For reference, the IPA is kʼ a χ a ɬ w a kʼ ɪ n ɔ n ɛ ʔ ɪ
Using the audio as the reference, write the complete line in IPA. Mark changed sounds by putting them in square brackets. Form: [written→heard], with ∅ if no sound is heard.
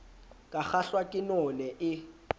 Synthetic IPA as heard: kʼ a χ a ɬ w a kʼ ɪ n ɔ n ɛ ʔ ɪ

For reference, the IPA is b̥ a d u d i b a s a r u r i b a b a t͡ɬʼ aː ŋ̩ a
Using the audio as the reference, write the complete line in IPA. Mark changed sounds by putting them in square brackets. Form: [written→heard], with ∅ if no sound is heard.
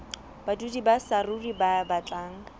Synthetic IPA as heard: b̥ a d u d i b a s a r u r i b a b a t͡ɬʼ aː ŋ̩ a

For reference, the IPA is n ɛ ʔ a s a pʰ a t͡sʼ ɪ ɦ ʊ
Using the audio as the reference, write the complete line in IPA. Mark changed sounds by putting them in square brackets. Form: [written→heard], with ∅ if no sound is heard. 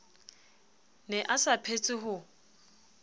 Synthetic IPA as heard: n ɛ ʔ a s a pʰ [a→e] t͡sʼ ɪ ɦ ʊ

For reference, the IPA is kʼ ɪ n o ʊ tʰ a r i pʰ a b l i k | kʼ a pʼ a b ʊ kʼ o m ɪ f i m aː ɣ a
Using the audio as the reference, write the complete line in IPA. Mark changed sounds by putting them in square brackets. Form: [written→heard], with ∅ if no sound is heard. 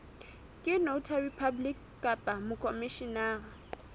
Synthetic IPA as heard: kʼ ɪ n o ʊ tʰ a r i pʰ a b l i k | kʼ a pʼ a [b→m] ʊ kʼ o m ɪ [f→ʃ] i [m→n] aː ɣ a

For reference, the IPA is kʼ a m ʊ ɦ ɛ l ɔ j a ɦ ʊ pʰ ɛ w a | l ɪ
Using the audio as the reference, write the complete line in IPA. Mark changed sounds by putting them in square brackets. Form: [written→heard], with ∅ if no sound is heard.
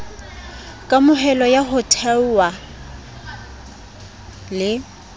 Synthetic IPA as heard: kʼ a m ʊ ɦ ɛ l ɔ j a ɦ ʊ [pʰ→tʰ] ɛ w a | l ɪ

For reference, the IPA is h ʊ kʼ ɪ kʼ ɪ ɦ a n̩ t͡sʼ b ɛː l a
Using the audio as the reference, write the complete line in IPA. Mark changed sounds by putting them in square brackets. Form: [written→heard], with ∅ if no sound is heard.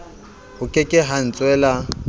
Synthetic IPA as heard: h ʊ kʼ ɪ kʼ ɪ ɦ a n̩ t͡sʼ [b→w] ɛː l a

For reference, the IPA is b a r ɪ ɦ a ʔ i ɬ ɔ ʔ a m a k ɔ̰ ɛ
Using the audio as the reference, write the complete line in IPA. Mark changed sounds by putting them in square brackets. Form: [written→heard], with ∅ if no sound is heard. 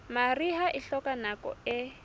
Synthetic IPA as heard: [b→m] a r [ɪ→i] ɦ a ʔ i ɬ ɔ [ʔ→k] a [m→n] a k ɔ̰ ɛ

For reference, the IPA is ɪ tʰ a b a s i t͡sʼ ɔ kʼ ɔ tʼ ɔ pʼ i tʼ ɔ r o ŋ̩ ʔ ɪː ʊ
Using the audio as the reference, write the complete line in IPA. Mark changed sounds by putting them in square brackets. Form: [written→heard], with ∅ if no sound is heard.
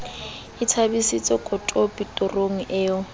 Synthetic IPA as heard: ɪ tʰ a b [a→i] s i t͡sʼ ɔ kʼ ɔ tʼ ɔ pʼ i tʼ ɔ r o ŋ̩ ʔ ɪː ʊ

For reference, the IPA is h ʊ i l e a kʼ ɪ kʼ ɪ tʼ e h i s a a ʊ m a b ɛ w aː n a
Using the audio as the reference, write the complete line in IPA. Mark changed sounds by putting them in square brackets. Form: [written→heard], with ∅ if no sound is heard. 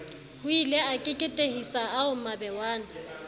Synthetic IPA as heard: h ʊ i l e a kʼ ɪ kʼ ɪ tʼ e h i s a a ʊ m a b ɛ w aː n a

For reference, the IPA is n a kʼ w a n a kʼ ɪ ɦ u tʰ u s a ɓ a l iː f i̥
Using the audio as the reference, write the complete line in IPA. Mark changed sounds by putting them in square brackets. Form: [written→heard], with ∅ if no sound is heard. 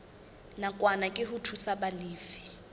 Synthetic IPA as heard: n a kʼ w a n a kʼ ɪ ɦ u tʰ u s a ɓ a l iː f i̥

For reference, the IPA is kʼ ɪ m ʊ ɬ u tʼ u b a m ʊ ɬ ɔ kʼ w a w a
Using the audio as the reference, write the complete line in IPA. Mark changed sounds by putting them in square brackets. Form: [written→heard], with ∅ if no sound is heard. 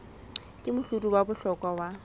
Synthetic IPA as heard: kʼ ɪ m ʊ ɬ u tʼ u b a [m→b] ʊ ɬ ɔ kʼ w a w a

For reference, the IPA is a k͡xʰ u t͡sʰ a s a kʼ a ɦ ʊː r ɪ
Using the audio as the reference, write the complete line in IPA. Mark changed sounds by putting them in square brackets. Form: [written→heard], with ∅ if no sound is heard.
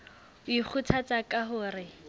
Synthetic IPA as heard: [a→i] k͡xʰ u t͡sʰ a [s→t͡s] a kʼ a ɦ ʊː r ɪ

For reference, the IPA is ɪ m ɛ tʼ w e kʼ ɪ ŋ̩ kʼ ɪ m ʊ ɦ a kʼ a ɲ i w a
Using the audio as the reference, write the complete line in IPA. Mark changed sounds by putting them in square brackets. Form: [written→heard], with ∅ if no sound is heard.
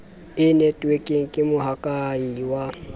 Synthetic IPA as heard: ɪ [m→n] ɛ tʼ w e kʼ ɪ ŋ̩ kʼ ɪ m ʊ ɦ a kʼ a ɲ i w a

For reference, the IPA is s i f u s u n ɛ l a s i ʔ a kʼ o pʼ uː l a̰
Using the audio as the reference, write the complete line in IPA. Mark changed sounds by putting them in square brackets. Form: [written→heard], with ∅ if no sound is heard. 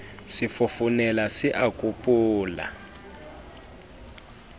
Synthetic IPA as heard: s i f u [s→f] u n ɛ l a s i ʔ a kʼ [o→u] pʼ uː l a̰

